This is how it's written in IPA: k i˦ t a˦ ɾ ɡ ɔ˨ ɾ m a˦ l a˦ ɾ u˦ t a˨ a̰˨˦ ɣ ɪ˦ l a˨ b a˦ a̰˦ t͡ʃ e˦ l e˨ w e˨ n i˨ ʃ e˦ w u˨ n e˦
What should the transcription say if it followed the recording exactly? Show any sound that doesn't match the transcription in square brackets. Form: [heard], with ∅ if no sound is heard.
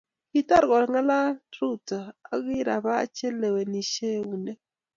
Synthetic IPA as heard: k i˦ t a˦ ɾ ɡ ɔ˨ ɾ [ŋ] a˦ l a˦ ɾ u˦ t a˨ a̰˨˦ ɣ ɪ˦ [ɾ] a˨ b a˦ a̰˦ t͡ʃ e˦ l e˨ w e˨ n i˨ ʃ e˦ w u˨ n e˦

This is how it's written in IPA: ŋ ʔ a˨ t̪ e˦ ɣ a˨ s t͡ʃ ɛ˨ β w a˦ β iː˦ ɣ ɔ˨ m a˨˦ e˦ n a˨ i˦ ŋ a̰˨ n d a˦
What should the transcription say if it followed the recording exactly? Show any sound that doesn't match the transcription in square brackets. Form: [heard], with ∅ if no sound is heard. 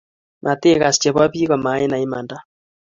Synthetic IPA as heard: [m] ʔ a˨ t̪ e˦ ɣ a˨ s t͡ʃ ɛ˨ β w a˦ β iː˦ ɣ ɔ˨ m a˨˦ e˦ n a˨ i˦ [m] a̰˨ n d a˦

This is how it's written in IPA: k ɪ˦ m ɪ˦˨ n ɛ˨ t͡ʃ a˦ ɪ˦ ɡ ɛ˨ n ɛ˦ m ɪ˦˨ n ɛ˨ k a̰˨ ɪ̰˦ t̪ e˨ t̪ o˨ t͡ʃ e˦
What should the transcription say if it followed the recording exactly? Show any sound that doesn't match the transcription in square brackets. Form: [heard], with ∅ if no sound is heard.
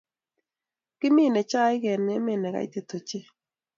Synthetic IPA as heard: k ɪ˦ m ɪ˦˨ n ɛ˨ t͡ʃ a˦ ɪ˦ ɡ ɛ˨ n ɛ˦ m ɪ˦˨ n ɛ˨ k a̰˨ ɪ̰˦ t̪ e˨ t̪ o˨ t͡ʃ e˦

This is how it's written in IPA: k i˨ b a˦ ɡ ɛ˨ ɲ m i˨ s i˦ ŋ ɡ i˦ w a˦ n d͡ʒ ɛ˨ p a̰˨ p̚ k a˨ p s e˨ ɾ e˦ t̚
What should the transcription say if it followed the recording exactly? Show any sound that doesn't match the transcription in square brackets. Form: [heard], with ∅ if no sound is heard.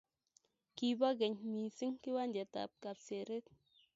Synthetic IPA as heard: k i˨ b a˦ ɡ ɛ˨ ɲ m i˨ s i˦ ŋ [k] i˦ w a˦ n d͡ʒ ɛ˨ [t] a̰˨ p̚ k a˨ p s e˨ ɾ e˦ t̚

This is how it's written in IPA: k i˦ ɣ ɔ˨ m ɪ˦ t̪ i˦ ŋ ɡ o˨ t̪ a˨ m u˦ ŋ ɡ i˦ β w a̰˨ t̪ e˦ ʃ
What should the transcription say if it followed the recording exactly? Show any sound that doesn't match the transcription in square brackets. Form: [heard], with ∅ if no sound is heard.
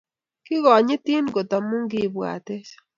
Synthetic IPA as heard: k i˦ ɣ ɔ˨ [ɲ] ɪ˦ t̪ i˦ [n] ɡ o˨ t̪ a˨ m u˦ ŋ ɡ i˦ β w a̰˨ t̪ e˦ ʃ

